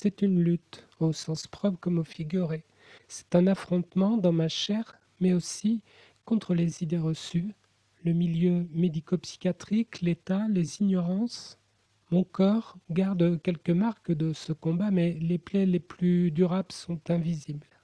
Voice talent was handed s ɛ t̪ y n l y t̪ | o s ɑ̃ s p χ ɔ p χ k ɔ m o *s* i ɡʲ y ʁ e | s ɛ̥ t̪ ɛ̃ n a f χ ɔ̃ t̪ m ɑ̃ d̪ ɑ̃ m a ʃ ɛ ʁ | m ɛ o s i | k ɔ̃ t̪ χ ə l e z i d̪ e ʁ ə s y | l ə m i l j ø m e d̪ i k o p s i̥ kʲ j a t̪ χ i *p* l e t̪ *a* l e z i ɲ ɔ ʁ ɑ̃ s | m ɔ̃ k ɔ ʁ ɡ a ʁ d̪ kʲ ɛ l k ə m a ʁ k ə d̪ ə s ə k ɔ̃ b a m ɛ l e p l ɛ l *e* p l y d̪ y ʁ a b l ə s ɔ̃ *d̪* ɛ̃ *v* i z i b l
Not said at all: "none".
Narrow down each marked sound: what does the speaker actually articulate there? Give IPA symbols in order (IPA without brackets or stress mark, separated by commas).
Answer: f, k, a, e, t̪, v